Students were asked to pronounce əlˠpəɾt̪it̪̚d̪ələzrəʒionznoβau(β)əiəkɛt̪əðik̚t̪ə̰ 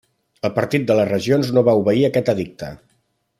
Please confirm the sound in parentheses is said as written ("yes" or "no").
yes